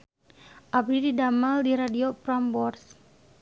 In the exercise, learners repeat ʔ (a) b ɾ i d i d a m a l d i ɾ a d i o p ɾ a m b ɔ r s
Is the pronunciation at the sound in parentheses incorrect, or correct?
correct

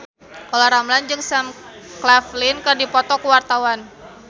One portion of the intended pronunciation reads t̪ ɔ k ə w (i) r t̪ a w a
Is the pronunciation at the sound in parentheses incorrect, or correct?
incorrect: a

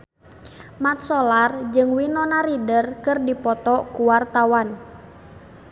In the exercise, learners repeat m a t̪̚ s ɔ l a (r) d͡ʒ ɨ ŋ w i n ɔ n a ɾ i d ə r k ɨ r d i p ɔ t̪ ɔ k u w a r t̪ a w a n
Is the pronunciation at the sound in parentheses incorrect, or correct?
correct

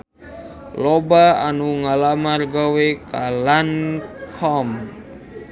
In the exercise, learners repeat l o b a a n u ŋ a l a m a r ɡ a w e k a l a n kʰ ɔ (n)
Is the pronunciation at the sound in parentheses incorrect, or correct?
incorrect: m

